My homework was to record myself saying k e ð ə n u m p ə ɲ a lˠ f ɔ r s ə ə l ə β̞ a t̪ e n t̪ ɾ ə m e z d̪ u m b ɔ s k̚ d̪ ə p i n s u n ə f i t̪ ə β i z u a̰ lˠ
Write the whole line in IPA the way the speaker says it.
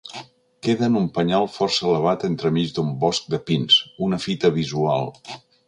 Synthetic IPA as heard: k e ð ə n u m p ə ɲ a lˠ f ɔ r s ə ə l ə β̞ a t̪ e n t̪ ɾ ə m i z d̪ u m b ɔ s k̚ d̪ ə p i n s u n ə f i t̪ ə β i z u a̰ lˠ